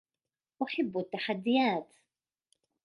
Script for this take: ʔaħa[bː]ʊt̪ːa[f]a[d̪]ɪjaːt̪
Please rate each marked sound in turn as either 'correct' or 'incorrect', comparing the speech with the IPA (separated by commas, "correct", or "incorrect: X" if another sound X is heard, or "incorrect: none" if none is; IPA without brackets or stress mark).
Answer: correct, incorrect: ħ, incorrect: d̪ː